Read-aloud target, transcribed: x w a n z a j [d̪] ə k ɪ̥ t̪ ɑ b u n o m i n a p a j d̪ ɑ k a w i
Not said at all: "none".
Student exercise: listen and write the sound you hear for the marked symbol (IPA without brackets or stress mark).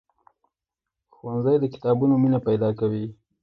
d̪